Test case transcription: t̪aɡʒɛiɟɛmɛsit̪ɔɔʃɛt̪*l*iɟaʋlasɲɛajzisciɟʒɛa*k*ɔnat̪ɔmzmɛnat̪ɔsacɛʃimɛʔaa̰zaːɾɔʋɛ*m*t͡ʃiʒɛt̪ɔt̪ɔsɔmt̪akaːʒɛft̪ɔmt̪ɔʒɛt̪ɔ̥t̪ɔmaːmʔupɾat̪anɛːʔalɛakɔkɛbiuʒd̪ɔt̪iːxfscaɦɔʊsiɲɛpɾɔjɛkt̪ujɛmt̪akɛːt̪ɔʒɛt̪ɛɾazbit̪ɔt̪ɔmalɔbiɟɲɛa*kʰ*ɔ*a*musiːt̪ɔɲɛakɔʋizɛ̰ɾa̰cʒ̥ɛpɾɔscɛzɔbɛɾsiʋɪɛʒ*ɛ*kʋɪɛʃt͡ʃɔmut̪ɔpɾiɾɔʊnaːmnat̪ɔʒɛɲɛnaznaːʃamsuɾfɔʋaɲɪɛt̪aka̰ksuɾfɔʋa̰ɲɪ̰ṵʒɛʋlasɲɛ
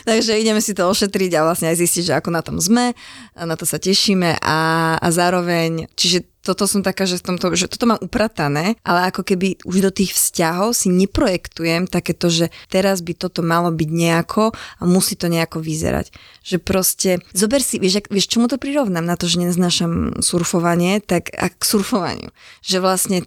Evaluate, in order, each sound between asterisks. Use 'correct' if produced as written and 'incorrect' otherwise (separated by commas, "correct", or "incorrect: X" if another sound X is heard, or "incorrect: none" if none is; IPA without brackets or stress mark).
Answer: incorrect: ɾ, correct, incorrect: ɲ, correct, correct, incorrect: a